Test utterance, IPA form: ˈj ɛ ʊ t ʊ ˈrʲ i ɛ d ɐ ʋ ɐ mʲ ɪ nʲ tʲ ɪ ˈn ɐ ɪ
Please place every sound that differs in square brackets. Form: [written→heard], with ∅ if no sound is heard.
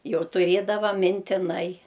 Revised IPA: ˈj ɛ ʊ t ʊ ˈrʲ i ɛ d ɐ ʋ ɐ mʲ ɪ nʲ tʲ ɪ ˈn ɐ ɪ